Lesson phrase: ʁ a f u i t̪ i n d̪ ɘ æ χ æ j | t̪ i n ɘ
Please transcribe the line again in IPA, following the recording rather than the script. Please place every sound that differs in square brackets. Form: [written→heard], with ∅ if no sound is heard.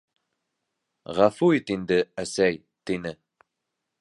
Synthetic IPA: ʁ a f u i t̪ i n d̪ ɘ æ [χ→s] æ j | t̪ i n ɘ